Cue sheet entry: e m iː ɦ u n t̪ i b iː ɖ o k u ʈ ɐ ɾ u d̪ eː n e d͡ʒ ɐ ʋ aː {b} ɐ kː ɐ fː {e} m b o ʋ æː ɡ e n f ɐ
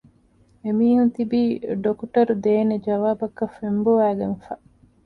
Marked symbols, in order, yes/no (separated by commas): yes, yes